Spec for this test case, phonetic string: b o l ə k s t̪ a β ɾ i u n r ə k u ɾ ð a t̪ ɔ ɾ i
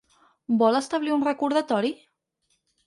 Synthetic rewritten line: b ɔ l ə s t̪ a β l i u n r ə k u ɾ ð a t̪ ɔ ɾ i